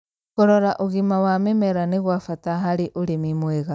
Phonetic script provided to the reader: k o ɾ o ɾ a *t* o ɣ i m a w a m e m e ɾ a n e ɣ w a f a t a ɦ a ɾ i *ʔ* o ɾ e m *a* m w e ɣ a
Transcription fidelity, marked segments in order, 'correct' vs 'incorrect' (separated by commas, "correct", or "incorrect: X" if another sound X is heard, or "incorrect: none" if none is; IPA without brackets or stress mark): incorrect: ʔ, correct, incorrect: i